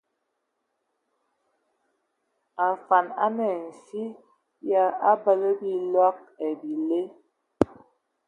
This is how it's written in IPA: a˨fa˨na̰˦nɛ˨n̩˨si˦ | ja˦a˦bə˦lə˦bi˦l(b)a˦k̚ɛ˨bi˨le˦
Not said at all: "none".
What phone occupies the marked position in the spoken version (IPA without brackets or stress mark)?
w